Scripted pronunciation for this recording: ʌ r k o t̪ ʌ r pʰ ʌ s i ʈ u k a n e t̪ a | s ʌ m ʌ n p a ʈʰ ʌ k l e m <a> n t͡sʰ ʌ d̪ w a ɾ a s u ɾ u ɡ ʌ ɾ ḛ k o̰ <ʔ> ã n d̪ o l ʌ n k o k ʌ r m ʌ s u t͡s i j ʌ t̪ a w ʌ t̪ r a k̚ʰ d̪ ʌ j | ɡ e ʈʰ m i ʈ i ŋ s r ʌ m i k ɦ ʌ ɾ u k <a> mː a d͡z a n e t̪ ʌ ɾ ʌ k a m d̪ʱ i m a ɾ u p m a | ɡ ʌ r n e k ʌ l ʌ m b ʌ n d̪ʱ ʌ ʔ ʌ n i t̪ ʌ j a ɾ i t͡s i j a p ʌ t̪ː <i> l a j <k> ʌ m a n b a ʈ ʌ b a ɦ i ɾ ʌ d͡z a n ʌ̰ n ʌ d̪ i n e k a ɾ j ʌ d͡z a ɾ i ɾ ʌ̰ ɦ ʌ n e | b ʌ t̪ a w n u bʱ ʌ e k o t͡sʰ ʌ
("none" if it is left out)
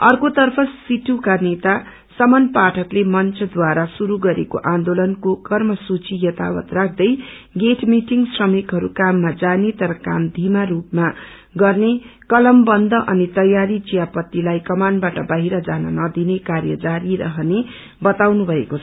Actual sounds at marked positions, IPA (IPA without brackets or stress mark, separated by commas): ʌ, ʔ, a, i, k